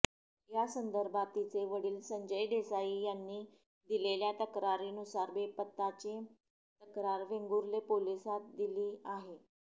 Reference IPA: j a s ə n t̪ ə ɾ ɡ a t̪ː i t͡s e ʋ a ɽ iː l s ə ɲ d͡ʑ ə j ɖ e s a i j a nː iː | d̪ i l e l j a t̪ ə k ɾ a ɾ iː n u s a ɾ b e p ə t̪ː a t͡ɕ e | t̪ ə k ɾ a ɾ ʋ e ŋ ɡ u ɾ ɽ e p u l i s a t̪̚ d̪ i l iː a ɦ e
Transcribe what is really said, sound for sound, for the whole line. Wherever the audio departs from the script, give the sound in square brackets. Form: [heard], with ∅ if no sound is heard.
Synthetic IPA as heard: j a s ə n [d̪] ə ɾ [b] a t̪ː i t͡s e ʋ [ə] ɽ iː l s ə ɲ d͡ʑ ə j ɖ e s a i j a nː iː | d̪ i l e l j a t̪ ə k ɾ a ɾ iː n u s a ɾ b e p ə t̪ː a t͡ɕ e | t̪ ə k ɾ a ɾ ʋ e ŋ ɡ u ɾ [l] e p [o] l i s a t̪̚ d̪ i l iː a ɦ e